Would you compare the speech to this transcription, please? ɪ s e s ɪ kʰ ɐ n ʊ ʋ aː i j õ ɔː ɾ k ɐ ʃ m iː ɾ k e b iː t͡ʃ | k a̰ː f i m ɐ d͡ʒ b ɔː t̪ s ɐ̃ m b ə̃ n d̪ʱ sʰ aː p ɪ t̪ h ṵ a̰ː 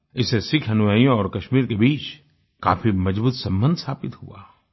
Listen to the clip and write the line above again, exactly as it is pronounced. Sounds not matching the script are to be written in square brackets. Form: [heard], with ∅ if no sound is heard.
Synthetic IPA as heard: ɪ s e s ɪ kʰ ɐ n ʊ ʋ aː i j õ ɔː ɾ k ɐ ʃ m iː ɾ k e b iː t͡ʃ | k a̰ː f i m ɐ d͡ʒ b [uː] t̪ s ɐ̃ m b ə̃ n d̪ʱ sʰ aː p ɪ t̪ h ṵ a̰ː